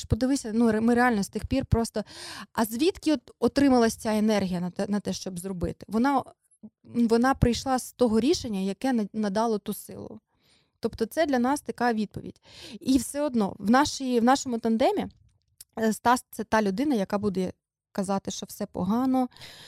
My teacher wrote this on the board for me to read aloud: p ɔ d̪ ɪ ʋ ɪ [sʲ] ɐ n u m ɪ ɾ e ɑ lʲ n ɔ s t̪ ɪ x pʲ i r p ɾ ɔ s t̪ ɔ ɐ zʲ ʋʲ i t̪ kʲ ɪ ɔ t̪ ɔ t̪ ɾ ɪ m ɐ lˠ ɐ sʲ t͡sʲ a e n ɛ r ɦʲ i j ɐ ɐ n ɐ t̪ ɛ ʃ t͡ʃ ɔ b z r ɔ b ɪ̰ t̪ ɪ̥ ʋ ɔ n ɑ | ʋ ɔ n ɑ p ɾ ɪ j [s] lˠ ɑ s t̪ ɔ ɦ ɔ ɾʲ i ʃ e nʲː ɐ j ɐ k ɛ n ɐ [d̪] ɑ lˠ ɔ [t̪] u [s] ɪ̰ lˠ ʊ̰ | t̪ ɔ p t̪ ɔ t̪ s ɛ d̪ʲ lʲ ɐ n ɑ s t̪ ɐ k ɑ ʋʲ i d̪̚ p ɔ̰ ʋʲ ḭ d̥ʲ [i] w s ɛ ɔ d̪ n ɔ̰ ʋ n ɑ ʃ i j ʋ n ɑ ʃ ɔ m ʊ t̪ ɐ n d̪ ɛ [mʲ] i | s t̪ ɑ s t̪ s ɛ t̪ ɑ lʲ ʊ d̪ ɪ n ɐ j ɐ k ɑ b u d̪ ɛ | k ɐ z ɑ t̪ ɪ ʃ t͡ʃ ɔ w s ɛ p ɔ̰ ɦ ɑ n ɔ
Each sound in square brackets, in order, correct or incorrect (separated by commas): correct, incorrect, correct, correct, correct, correct, correct